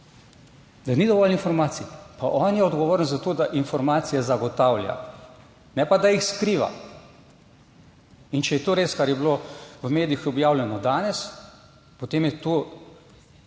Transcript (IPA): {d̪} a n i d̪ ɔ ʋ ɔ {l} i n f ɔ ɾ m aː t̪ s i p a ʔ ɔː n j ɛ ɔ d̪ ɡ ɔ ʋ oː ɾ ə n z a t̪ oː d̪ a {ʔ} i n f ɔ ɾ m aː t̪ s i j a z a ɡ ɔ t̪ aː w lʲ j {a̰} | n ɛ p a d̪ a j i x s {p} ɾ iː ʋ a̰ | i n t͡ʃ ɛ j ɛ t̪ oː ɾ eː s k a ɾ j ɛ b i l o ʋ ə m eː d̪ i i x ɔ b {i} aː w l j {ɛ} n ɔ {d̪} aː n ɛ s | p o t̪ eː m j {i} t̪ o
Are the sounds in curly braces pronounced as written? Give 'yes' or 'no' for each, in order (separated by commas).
yes, yes, yes, yes, no, no, yes, yes, no